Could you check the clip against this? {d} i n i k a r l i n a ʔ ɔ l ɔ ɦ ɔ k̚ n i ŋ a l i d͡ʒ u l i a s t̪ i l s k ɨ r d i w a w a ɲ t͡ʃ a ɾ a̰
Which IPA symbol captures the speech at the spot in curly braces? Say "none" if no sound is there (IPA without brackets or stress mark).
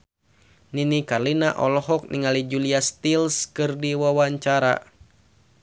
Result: n